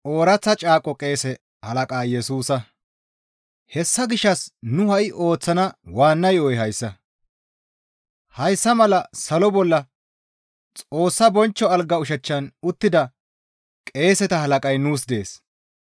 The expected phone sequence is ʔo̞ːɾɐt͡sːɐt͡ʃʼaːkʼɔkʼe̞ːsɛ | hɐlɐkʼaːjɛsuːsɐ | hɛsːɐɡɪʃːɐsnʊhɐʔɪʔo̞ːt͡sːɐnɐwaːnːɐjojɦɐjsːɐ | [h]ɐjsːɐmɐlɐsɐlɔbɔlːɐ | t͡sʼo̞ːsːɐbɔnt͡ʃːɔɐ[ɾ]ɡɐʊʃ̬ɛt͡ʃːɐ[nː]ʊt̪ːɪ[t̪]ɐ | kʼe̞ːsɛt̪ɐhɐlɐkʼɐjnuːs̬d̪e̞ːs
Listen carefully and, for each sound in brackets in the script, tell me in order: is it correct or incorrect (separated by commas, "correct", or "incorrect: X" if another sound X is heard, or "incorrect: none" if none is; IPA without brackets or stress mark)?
correct, incorrect: l, incorrect: n, incorrect: d̪